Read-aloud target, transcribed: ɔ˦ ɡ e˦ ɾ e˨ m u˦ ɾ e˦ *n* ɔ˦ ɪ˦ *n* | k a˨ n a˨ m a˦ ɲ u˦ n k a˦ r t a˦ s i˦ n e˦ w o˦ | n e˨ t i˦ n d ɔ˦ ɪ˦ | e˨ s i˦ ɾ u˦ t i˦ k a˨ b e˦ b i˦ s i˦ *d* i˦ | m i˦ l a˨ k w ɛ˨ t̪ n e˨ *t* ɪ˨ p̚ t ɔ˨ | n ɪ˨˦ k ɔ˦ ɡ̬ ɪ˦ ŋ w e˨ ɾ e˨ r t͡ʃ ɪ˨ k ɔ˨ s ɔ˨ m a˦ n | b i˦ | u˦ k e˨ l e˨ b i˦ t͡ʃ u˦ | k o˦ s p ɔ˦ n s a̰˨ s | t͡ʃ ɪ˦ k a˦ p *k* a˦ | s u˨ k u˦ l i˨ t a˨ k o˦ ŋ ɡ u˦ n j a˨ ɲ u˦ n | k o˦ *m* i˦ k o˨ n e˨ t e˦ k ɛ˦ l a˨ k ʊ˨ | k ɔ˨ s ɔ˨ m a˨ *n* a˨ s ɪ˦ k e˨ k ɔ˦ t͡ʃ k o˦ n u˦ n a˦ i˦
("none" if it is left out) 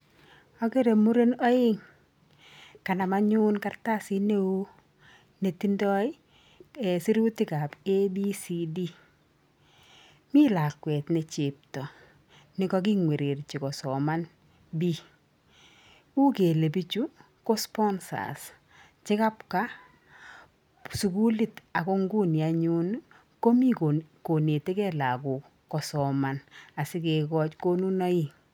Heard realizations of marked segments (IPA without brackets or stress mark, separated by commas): n, ŋ, d, t͡ʃ, k, m, n